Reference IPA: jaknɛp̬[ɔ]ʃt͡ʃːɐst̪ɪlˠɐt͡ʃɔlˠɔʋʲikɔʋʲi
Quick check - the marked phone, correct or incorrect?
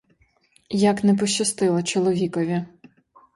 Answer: correct